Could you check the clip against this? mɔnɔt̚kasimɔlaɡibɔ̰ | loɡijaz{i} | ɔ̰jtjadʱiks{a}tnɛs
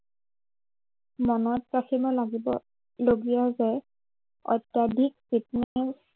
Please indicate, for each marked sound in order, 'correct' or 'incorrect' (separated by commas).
incorrect, incorrect